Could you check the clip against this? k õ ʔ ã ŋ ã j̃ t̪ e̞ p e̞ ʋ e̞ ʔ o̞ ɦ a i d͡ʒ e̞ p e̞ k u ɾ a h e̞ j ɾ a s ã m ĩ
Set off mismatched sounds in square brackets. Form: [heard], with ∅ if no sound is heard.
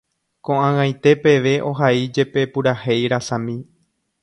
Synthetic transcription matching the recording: k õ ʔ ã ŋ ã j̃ t̪ e̞ p e̞ ʋ e̞ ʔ o̞ ɦ a i d͡ʒ e̞ p e̞ [p] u ɾ a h e̞ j ɾ a s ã m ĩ